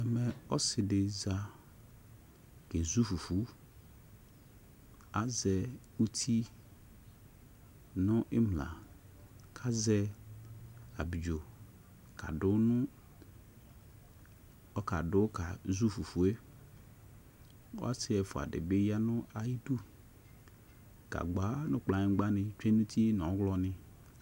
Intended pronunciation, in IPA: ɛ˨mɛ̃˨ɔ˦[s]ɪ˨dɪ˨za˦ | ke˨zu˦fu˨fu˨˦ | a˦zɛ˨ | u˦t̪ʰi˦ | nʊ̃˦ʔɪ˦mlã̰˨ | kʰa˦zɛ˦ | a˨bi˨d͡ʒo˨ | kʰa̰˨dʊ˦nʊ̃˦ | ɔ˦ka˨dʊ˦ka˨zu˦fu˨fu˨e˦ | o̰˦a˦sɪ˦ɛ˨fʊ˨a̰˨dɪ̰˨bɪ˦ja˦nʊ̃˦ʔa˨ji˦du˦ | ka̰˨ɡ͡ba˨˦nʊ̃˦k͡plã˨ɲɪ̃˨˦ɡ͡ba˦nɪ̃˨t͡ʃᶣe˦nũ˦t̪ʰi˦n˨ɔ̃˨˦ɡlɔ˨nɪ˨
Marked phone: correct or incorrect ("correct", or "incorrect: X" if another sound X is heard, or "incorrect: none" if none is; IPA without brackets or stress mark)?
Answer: correct